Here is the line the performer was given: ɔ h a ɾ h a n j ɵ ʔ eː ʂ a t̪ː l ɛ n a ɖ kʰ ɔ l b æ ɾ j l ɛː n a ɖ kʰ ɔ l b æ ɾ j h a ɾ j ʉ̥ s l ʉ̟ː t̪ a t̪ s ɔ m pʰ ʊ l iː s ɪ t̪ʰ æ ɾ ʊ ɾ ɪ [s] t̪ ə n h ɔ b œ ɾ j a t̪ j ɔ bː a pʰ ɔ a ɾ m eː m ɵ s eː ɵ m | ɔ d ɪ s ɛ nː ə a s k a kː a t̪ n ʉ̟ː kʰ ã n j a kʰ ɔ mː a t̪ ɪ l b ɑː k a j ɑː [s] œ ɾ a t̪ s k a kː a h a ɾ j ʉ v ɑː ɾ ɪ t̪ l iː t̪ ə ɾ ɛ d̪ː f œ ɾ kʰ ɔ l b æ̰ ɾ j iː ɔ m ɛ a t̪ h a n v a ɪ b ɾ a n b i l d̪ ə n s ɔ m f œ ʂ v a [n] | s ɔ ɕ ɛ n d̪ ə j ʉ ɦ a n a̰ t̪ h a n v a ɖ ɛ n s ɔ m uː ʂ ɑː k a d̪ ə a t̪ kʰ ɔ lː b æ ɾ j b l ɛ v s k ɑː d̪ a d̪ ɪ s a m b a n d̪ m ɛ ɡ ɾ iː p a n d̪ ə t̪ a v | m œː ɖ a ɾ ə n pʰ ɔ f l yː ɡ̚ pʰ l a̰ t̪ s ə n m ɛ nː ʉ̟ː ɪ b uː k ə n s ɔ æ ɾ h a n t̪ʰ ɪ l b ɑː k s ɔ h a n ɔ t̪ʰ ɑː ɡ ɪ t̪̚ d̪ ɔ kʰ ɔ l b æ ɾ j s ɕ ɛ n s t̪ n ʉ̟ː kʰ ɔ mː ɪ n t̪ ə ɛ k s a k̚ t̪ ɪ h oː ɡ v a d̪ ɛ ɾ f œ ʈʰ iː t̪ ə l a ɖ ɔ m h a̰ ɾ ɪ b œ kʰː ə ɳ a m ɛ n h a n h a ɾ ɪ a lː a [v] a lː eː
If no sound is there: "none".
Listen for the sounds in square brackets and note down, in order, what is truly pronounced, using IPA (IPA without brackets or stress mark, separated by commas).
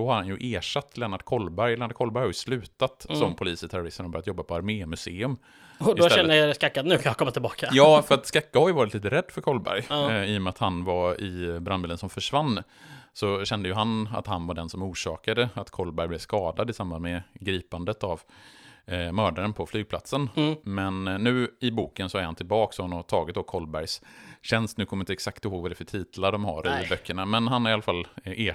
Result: s, f, nː, f